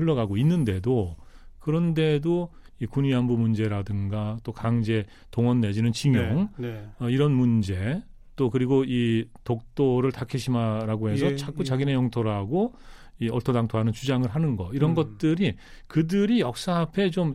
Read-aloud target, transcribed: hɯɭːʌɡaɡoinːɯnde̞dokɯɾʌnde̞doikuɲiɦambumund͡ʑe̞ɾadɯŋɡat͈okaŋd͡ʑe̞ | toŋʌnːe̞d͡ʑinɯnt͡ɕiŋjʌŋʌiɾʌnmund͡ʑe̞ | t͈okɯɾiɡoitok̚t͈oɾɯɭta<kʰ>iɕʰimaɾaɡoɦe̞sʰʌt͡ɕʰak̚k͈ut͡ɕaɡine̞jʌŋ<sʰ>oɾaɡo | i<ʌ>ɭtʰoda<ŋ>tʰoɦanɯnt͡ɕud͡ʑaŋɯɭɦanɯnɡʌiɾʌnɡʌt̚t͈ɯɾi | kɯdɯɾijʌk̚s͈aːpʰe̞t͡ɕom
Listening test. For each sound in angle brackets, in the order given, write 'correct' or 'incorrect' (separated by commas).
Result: correct, incorrect, correct, correct